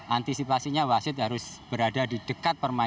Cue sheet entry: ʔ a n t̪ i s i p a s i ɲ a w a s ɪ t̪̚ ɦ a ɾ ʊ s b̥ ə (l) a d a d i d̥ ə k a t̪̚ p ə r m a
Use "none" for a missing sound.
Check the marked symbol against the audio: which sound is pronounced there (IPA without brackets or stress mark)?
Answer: ɾ